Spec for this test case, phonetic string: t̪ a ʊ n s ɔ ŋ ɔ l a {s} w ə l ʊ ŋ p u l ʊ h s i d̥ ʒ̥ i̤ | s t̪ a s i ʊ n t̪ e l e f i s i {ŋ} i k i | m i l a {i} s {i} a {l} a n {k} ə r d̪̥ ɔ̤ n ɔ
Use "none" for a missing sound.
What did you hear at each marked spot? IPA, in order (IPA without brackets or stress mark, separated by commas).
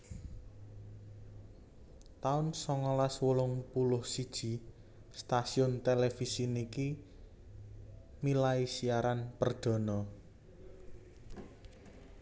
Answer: s, n, i, i, ɾ, p